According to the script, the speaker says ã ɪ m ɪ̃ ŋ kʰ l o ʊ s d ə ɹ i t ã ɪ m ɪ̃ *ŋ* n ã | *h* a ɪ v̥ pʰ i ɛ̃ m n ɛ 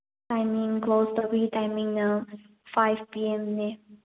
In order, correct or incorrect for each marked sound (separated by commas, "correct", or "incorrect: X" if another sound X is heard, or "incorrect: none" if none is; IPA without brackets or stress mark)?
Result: correct, incorrect: f